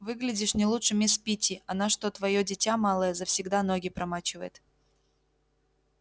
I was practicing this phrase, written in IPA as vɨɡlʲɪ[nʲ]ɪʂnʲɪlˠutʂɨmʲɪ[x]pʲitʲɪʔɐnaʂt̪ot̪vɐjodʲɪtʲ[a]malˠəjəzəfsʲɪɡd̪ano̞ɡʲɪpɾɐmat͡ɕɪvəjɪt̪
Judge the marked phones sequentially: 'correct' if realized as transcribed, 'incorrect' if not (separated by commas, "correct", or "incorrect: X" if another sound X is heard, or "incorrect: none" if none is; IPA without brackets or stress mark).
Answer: incorrect: dʲ, incorrect: s, correct